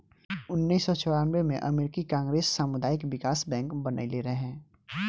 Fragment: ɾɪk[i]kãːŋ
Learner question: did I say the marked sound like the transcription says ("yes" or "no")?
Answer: yes